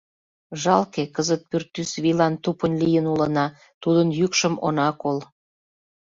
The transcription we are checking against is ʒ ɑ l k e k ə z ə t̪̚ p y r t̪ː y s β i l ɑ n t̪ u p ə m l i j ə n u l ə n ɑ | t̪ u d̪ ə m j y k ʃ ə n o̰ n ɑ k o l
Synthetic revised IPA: ʒ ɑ l k e k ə z ə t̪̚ p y r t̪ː y s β i l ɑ n t̪ u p ə n l i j ə n u l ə n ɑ | t̪ u d̪ ə n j y k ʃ ə m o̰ n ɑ k o l